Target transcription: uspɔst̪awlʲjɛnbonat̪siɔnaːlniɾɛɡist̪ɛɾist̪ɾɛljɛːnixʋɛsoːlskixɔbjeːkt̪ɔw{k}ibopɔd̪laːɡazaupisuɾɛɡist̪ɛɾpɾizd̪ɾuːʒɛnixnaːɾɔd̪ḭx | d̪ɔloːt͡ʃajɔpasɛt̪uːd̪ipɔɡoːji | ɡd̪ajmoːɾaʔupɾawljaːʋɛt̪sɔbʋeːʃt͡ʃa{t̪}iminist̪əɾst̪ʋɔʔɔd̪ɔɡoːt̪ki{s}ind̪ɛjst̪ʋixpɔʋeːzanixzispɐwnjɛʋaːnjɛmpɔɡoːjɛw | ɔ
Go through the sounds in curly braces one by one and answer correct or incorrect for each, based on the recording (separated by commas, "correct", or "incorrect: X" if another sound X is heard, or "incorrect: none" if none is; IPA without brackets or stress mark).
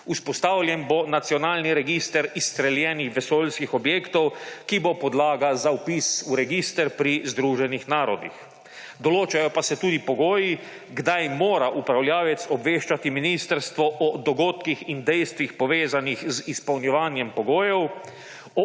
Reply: correct, correct, incorrect: x